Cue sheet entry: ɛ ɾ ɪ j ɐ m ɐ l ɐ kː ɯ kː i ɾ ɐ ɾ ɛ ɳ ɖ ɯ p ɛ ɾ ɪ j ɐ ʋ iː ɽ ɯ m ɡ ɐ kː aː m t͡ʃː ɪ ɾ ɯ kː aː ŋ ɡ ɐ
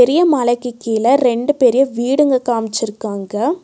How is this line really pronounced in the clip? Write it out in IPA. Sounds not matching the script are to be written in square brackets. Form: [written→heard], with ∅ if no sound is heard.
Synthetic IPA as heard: ɛ ɾ ɪ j ɐ m ɐ l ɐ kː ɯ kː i [ɾ→l] ɐ ɾ ɛ ɳ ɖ ɯ p ɛ ɾ ɪ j ɐ ʋ iː ɽ ɯ [m→ŋ] ɡ ɐ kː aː m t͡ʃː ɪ ɾ ɯ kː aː ŋ ɡ ɐ